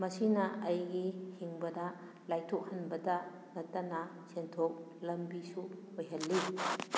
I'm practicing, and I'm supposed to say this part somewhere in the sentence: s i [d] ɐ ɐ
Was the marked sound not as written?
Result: yes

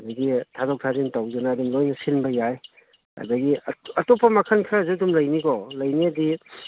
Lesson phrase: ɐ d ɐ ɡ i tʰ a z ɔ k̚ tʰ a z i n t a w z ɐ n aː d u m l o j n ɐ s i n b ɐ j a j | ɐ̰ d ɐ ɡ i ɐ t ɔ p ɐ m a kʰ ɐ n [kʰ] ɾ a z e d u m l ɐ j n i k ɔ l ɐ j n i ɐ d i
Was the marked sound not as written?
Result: no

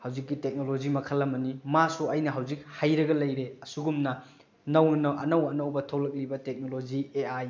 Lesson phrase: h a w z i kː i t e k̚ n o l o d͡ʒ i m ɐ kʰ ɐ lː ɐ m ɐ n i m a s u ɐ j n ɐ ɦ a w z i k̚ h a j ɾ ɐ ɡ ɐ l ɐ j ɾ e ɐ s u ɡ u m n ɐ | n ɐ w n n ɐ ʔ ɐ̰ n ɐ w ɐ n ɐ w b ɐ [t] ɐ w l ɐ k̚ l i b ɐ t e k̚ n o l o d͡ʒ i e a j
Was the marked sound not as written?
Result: yes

